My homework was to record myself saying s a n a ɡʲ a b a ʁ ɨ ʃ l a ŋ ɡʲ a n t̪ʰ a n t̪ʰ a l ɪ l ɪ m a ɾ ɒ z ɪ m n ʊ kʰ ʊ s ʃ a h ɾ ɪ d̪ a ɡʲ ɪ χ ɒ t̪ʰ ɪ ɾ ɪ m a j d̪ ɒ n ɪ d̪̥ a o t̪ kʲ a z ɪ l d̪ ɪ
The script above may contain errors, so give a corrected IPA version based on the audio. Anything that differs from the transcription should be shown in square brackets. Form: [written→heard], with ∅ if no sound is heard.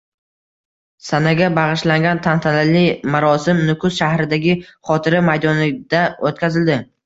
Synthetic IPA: s a n a ɡʲ a b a ʁ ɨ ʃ l a ŋ ɡʲ a n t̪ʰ a n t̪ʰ a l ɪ l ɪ m a ɾ ɒ [z→s] ɪ m n ʊ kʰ ʊ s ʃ a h ɾ ɪ d̪ a ɡʲ ɪ χ ɒ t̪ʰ ɪ ɾ ɪ m a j d̪ ɒ n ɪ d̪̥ a o t̪ kʲ a z ɪ l d̪ ɪ